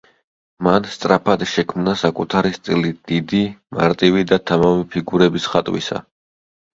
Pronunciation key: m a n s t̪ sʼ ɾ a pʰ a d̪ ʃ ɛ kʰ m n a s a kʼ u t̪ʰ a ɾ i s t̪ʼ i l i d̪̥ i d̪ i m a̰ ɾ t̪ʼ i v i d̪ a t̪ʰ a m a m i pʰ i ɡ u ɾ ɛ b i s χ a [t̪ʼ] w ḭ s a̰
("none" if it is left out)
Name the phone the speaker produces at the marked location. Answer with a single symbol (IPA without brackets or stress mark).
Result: t̪ʼ